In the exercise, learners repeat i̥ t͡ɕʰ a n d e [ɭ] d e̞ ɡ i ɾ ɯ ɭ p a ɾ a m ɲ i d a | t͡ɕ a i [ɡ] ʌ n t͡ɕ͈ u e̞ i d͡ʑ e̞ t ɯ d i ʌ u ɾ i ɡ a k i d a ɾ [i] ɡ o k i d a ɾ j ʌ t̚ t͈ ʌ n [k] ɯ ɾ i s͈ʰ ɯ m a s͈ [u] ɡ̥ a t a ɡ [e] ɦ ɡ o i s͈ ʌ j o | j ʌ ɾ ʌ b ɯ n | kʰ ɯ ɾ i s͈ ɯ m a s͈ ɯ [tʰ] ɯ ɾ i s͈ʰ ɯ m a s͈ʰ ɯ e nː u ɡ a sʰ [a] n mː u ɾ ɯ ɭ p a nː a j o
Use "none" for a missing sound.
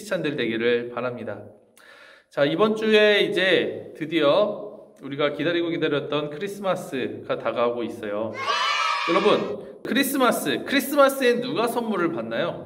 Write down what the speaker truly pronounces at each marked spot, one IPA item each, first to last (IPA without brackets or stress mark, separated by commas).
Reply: ɭ, b, i, kʰ, ɯ, a, kʰ, ʌ